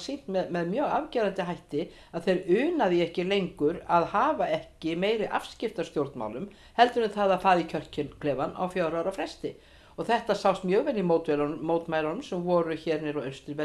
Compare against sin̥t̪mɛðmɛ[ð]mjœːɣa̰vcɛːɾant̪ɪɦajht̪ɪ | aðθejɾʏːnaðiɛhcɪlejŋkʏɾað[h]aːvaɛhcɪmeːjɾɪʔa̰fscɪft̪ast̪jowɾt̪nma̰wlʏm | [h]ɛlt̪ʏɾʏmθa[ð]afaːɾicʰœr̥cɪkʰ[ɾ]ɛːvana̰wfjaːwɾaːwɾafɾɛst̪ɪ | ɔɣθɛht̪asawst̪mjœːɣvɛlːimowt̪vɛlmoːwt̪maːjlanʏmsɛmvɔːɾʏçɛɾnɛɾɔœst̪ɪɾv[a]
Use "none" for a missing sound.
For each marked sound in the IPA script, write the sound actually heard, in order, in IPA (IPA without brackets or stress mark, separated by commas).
ð, h, h, ð, l, ɛ